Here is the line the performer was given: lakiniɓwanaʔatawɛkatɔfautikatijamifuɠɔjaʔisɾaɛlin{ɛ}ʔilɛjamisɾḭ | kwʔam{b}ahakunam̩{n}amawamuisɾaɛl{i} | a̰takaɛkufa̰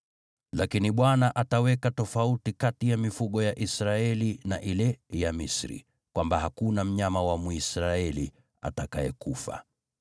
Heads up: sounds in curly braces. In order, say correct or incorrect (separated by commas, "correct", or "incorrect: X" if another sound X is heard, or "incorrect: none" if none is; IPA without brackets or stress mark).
incorrect: a, correct, incorrect: ɲ, correct